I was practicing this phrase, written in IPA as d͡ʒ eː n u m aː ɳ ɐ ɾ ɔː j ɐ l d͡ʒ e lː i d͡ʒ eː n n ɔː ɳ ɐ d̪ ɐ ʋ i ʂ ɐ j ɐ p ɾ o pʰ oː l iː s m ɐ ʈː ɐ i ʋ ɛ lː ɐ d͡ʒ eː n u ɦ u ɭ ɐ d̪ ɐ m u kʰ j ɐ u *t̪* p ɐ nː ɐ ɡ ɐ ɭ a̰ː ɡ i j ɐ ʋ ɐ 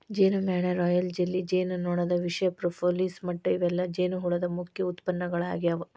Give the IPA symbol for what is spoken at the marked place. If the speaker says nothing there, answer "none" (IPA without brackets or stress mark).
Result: t̪